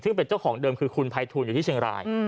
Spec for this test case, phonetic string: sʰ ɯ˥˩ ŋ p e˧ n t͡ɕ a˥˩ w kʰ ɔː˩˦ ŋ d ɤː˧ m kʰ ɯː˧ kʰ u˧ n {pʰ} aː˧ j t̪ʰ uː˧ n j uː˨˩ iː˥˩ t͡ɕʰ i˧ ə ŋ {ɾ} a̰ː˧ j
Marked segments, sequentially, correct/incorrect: correct, correct

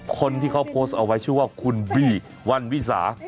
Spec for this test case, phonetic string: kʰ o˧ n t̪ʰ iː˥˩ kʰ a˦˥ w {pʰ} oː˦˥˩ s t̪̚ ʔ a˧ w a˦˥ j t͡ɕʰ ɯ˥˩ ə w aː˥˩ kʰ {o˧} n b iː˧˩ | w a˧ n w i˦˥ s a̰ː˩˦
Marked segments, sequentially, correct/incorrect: correct, incorrect

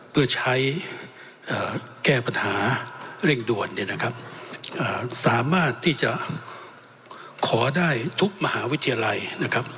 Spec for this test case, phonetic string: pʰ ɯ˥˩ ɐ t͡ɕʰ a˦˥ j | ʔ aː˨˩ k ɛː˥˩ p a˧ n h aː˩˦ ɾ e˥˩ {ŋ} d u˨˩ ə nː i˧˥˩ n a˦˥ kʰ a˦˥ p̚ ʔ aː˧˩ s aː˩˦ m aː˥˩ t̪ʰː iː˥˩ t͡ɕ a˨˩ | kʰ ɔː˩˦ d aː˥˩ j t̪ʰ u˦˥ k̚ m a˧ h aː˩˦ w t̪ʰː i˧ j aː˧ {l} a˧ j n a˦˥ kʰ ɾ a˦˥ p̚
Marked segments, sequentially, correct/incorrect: correct, correct

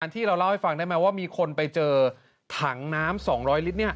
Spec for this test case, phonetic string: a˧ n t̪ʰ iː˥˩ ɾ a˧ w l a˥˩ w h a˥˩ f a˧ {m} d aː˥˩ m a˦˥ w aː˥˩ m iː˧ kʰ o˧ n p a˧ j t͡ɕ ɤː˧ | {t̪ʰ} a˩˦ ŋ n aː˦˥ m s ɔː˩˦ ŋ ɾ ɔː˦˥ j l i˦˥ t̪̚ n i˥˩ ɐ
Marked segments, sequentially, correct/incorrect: incorrect, correct

